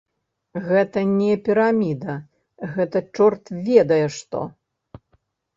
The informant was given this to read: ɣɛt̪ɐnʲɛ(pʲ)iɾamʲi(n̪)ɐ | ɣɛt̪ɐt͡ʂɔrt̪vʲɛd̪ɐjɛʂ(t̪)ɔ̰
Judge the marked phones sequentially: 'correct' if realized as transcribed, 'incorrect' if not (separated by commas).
correct, incorrect, correct